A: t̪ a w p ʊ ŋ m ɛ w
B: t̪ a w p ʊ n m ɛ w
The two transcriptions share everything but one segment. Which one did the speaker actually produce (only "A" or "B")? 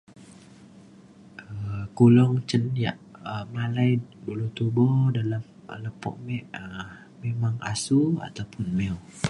B